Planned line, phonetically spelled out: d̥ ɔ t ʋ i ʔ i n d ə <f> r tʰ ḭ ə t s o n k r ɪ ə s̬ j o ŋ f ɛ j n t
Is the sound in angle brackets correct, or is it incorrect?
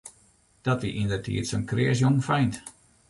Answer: incorrect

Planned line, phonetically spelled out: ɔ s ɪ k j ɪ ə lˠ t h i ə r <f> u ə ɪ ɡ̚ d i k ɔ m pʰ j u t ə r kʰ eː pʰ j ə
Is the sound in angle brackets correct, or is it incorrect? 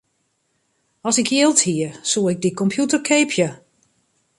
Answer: incorrect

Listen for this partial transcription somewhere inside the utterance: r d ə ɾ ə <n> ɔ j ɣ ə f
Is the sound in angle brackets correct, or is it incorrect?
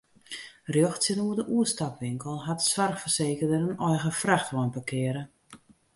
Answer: correct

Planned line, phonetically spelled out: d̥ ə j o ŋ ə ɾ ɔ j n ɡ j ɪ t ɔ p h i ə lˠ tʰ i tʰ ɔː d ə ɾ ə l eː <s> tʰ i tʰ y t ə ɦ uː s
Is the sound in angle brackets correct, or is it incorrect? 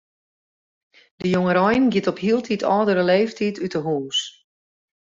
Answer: incorrect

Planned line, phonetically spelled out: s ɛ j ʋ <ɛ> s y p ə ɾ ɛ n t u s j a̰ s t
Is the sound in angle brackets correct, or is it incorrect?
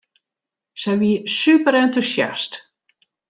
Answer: incorrect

